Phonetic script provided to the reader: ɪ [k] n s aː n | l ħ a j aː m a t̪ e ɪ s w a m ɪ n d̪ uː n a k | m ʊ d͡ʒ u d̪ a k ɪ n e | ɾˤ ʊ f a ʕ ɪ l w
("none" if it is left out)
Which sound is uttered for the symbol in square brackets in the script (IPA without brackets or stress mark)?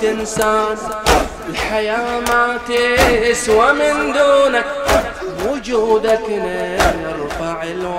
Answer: none